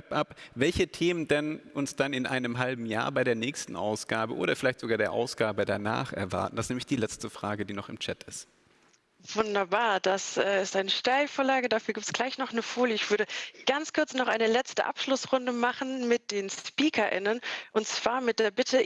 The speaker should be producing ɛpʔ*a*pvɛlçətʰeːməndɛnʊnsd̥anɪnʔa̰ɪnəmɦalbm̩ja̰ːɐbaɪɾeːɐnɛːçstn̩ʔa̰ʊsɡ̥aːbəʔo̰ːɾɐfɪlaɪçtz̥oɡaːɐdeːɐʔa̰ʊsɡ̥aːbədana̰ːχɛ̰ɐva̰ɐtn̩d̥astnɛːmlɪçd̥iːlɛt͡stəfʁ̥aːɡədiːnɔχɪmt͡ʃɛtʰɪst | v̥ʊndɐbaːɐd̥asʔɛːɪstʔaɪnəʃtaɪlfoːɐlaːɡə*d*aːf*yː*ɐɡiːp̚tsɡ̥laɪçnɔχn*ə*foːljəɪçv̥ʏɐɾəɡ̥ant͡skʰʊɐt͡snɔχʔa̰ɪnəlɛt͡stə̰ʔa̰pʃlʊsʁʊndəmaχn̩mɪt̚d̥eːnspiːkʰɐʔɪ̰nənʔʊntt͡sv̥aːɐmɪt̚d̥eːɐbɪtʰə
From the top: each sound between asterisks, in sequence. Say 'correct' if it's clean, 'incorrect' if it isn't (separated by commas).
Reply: correct, correct, correct, correct